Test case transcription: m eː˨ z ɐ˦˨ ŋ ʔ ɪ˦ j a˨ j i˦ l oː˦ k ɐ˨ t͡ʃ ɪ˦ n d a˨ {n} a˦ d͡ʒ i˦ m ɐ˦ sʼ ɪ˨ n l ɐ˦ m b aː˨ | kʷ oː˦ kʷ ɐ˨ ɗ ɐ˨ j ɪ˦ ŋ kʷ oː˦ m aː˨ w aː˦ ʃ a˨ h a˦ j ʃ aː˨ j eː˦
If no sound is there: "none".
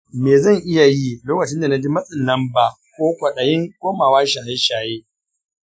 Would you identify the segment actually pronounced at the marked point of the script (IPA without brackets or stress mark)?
n